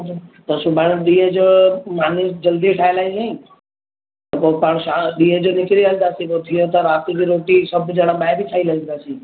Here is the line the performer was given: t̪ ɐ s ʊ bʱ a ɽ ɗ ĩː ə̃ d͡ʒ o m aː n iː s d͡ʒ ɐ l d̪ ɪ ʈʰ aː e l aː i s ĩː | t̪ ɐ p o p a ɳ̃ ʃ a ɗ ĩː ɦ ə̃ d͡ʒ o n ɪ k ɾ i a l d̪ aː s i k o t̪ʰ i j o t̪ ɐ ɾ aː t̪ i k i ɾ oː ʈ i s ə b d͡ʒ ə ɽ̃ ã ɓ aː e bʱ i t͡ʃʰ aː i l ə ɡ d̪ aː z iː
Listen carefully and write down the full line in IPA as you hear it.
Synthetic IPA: t̪ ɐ s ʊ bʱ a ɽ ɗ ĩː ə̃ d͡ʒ o m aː n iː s d͡ʒ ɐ l d̪ i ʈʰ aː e l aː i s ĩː | t̪ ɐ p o p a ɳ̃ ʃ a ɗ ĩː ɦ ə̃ d͡ʒ o n ɪ k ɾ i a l d̪ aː s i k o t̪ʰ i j o t̪ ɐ ɾ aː t̪ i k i ɾ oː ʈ i s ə b d͡ʒ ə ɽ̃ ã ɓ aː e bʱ i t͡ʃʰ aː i l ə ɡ d̪ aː s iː